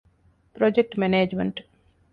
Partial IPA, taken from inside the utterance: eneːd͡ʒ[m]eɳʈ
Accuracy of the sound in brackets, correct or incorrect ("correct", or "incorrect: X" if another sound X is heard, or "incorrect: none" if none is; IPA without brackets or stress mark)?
correct